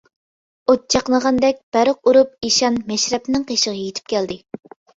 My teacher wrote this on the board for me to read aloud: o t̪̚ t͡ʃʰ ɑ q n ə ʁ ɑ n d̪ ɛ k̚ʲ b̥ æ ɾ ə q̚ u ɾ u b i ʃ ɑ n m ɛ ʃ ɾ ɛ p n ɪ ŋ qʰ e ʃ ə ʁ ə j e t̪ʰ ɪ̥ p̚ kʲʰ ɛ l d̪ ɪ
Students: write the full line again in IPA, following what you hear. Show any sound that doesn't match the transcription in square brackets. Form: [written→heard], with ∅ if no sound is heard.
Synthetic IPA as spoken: o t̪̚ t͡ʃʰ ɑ q n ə ʁ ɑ n d̪ ɛ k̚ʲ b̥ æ ɾ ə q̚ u ɾ u [b→p] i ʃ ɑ n m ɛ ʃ ɾ ɛ p n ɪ ŋ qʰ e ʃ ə ʁ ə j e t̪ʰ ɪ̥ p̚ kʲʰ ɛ l d̪ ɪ